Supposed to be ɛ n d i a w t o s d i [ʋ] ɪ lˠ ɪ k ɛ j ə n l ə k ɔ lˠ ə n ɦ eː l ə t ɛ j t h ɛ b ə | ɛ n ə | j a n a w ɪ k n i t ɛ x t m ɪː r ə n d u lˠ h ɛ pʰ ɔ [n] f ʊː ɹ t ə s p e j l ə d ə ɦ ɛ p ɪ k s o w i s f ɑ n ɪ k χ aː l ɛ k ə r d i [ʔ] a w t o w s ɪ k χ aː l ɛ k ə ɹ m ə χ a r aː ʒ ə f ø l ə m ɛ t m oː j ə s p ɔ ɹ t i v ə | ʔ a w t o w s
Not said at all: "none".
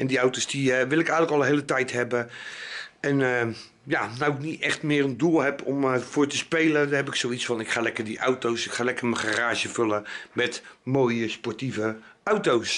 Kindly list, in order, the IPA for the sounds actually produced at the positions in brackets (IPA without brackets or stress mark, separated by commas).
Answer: ʋ, m, ʔ